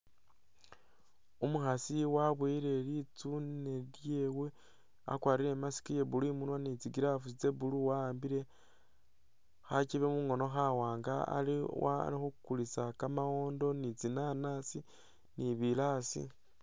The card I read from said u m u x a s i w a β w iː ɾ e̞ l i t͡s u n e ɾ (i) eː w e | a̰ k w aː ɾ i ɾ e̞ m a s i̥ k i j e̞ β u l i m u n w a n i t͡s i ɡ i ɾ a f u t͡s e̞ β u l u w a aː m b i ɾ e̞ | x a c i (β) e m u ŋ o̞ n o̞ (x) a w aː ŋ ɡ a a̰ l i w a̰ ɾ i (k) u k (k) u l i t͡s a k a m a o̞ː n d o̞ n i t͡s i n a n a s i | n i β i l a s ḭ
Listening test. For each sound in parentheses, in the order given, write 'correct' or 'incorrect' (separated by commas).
incorrect, correct, correct, incorrect, correct